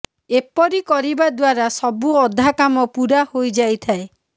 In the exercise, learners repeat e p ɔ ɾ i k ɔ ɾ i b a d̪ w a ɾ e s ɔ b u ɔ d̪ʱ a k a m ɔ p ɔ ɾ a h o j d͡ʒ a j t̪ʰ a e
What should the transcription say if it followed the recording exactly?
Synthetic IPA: e p ɔ ɾ i k ɔ ɾ i b a d̪ w a ɾ a s ɔ b u ɔ d̪ʱ a k a m ɔ p u ɾ a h o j d͡ʒ a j t̪ʰ a e